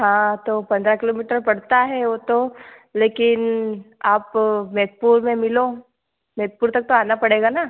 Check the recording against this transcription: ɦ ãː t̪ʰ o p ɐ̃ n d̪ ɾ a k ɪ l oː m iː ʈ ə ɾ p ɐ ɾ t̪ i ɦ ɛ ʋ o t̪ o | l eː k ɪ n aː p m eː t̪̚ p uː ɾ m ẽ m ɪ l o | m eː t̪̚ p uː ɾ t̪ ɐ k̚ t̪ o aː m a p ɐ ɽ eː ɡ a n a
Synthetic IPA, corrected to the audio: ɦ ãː t̪ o p ɐ̃ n d̪ ɾ a k ɪ l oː m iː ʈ ə ɾ p ɐ ɽ t̪ a ɦ ɛ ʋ o t̪ o | l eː k ɪ n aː p m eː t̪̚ p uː ɾ m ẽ m ɪ l o | m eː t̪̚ p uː ɾ t̪ ɐ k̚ t̪ o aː n a p ɐ ɽ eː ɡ a n a